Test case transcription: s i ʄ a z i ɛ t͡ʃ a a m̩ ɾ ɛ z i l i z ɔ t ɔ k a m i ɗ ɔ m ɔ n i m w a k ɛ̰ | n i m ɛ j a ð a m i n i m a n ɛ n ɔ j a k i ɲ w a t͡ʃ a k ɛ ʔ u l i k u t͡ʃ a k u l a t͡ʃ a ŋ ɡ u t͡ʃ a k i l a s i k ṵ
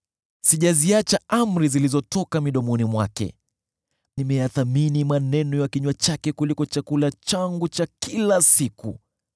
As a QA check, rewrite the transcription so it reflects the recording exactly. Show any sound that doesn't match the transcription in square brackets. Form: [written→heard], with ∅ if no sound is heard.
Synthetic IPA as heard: s i ʄ a z i [ɛ→a] t͡ʃ a a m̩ ɾ [ɛ→i] z i l i z ɔ t ɔ k a m i ɗ ɔ m ɔ n i m w a k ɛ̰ | n i m ɛ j a [ð→θ] a m i n i m a n ɛ n ɔ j a k i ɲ w a t͡ʃ a k ɛ [ʔ→k] u l i k [u→ɔ] t͡ʃ a k u l a t͡ʃ a ŋ ɡ u t͡ʃ a k i l a s i k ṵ